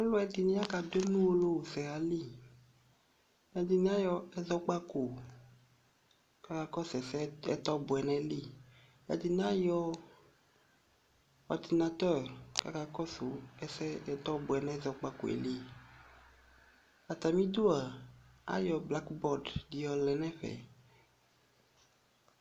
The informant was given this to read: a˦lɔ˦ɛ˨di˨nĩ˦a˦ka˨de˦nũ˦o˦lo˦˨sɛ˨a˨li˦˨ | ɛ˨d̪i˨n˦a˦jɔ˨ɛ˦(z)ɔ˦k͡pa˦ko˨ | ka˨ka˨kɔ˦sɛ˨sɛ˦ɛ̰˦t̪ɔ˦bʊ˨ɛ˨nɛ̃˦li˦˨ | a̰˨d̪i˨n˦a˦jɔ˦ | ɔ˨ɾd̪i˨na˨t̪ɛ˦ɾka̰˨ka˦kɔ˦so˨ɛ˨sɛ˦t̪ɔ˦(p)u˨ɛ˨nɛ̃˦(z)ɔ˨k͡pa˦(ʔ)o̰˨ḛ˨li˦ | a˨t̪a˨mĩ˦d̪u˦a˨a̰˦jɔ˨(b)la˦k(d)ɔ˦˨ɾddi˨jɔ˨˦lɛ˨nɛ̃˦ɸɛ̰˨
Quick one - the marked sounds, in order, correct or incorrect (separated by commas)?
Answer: correct, incorrect, correct, incorrect, correct, incorrect